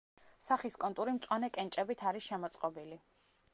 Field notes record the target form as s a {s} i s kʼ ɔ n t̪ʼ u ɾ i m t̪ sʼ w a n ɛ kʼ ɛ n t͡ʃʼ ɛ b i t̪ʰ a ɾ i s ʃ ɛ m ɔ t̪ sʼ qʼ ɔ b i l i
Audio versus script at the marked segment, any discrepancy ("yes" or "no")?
yes